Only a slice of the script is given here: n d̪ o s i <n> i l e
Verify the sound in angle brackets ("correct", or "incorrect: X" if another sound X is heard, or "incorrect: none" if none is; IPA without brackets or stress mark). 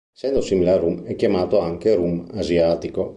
incorrect: m